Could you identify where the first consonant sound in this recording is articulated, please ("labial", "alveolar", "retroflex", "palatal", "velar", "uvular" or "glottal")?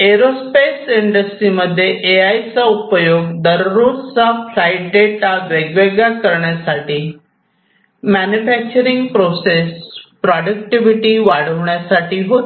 alveolar